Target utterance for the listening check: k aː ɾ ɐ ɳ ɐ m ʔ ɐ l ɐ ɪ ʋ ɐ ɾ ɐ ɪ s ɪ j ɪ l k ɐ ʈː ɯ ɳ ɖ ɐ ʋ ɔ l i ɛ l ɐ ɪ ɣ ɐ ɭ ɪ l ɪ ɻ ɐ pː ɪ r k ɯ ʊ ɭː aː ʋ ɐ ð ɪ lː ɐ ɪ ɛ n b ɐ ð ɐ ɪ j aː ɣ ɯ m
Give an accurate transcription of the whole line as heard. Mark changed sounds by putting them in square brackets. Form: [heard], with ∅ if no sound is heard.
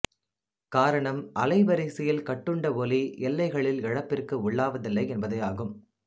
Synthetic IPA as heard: k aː ɾ ɐ ɳ ɐ m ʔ ɐ l ɐ ɪ ʋ ɐ ɾ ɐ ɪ s ɪ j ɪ l k ɐ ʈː ɯ ɳ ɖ ɐ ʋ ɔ l i ɛ [lː] ɐ ɪ ɣ ɐ ɭ ɪ l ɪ ɻ ɐ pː ɪ r k ɯ ʊ ɭː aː ʋ ɐ ð ɪ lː ɐ ɪ ɛ n b ɐ ð ɐ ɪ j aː ɣ ɯ m